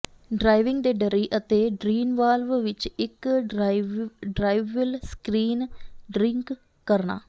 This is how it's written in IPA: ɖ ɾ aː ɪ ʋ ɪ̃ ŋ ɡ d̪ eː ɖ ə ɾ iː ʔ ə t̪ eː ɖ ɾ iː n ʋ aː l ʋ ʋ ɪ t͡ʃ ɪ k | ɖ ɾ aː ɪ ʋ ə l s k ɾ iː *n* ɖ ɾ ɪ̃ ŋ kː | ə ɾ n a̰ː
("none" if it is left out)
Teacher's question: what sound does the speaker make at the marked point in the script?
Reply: n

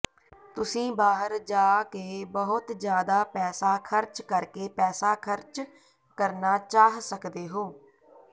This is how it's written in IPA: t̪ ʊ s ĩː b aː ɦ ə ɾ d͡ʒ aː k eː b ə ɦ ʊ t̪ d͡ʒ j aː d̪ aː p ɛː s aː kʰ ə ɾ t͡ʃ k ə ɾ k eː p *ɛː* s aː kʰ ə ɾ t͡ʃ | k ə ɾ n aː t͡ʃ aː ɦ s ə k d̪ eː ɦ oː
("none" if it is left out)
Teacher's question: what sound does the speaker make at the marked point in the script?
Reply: ɛː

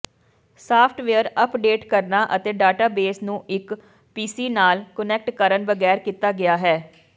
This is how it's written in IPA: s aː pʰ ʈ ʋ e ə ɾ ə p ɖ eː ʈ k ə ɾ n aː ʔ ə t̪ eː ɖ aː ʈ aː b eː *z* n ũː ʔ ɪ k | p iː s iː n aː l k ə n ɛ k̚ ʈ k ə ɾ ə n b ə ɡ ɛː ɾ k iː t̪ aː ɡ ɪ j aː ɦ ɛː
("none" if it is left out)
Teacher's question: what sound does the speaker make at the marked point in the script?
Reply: s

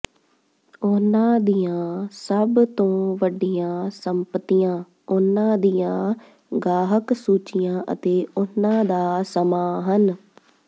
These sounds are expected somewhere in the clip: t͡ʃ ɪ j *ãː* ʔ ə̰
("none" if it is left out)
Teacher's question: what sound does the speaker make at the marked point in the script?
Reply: ãː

